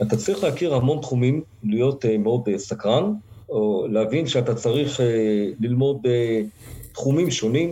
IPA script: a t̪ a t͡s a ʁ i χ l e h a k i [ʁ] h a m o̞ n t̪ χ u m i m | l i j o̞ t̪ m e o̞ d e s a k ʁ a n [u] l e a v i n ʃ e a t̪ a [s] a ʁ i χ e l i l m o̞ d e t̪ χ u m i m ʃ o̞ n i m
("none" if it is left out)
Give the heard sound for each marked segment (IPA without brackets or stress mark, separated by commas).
ʁ, o, t͡s